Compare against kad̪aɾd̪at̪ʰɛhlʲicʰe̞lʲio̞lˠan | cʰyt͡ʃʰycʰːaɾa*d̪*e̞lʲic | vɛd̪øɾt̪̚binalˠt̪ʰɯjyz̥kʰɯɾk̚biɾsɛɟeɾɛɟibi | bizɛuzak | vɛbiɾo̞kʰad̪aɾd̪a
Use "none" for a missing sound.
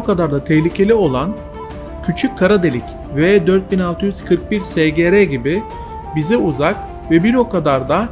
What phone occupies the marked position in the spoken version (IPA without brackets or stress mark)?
d̪